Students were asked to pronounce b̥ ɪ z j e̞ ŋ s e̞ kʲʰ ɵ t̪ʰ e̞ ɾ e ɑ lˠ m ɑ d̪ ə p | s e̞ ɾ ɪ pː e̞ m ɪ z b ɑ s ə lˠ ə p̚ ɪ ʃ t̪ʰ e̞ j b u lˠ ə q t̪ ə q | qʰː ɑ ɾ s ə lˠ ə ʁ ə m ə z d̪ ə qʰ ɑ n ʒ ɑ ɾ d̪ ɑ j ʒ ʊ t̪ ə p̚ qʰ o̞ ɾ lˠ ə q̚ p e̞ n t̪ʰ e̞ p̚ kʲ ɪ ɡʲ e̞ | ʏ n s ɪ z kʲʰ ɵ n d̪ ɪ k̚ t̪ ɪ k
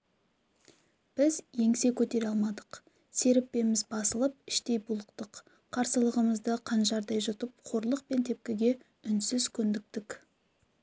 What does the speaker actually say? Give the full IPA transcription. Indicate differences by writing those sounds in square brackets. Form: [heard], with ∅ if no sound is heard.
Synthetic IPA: b̥ ɪ z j e̞ ŋ s e̞ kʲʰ ɵ [t̪] e̞ ɾ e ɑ lˠ m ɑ d̪ ə [q] | s e̞ ɾ ɪ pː e̞ m ɪ z b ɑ s ə lˠ ə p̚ ɪ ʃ [t̪] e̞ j b u lˠ ə q t̪ ə q | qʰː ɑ ɾ s ə lˠ ə ʁ ə m ə z d̪ ə qʰ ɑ n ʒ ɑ ɾ d̪ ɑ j ʒ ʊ t̪ ə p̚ qʰ o̞ ɾ lˠ ə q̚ p e̞ n t̪ʰ e̞ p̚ kʲ ɪ ɡʲ e̞ | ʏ n s ɪ z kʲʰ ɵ n d̪ ɪ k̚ t̪ ɪ k

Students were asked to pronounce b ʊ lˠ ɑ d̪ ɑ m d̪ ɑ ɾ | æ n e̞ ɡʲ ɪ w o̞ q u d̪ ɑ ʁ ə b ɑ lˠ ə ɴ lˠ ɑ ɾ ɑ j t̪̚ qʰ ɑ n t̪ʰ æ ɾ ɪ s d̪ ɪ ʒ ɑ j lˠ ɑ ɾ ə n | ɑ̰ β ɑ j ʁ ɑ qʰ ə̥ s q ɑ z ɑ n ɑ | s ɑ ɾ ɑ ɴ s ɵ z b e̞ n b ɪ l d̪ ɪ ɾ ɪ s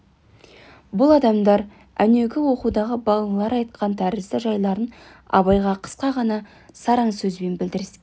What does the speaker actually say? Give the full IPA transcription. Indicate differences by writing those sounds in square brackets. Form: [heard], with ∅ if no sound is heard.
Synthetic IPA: b ʊ lˠ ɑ d̪ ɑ m d̪ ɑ ɾ | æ n e̞ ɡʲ ɪ w o̞ q u d̪ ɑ ʁ ə b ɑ lˠ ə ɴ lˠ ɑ ɾ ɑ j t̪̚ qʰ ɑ n t̪ʰ æ ɾ ɪ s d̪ ɪ ʒ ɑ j lˠ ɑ ɾ ə n | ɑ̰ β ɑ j ʁ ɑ qʰ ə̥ s q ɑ [ʁ] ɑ n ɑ | s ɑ ɾ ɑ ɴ s ɵ z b e̞ n b ɪ l d̪ ɪ ɾ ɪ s

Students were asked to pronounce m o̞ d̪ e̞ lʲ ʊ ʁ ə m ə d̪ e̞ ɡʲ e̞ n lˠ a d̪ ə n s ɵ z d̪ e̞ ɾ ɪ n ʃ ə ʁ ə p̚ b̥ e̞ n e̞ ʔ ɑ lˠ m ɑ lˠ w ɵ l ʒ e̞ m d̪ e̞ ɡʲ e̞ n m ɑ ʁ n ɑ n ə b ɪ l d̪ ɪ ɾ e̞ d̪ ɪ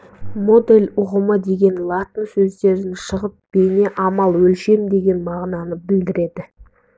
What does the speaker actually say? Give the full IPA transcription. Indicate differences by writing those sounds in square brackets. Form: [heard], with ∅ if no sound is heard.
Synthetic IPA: m o̞ d̪ e̞ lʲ ʊ ʁ ə m ə d̪ e̞ ɡʲ e̞ n lˠ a [t̪] ə n s ɵ z d̪ e̞ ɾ ɪ n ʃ ə ʁ ə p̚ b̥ e̞ n e̞ ʔ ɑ [∅] m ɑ lˠ w ɵ l [ʃ] e̞ m d̪ e̞ ɡʲ e̞ n m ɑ ʁ n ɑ n ə b ɪ l d̪ ɪ ɾ e̞ d̪ ɪ

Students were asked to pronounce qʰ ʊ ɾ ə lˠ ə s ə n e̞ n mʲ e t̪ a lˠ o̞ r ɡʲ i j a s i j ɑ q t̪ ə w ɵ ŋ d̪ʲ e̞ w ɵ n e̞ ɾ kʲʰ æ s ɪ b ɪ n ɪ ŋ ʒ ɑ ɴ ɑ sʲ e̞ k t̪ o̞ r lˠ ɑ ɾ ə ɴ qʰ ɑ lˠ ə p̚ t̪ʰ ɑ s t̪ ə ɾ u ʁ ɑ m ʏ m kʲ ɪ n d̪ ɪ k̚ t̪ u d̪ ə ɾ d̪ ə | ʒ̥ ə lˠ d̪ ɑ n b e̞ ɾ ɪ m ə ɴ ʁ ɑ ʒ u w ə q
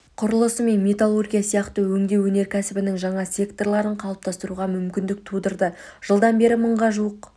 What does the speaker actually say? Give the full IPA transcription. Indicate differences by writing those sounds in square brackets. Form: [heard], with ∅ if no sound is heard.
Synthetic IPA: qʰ ʊ ɾ ə lˠ ə s ə [m] e̞ n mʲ e t̪ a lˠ o̞ r ɡʲ i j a s i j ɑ q t̪ ə w ɵ ŋ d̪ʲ e̞ w ɵ n e̞ ɾ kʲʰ æ s ɪ b ɪ n ɪ ŋ ʒ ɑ ɴ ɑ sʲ e̞ k t̪ o̞ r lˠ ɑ ɾ ə ɴ qʰ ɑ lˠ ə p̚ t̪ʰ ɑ s t̪ ə ɾ u ʁ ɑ m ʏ m kʲ ɪ n d̪ ɪ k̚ [t̪ʰ] u d̪ ə ɾ d̪ ə | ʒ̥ ə lˠ d̪ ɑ n b e̞ ɾ ɪ m ə ɴ ʁ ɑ ʒ u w ə q

